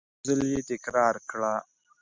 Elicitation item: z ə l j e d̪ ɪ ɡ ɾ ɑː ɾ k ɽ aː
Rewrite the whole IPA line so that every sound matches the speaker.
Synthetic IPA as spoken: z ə l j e t̪ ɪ k ɾ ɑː ɾ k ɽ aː